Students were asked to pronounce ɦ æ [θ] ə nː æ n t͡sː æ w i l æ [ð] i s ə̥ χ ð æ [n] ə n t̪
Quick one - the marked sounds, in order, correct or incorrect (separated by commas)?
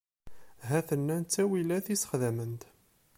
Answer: correct, incorrect, incorrect